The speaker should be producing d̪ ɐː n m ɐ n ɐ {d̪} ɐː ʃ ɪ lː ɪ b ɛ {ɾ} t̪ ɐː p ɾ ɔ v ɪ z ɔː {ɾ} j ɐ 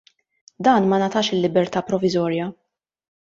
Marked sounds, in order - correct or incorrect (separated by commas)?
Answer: incorrect, correct, correct